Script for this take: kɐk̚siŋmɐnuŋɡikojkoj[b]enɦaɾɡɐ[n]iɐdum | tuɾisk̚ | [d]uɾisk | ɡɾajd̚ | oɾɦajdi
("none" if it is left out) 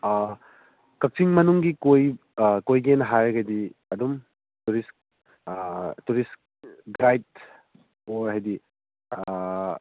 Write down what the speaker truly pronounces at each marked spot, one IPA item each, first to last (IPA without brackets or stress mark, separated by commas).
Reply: ɡ, d, t